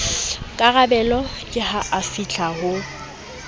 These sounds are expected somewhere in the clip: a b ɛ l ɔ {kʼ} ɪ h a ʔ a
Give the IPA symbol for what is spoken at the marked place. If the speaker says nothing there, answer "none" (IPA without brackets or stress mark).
kʼ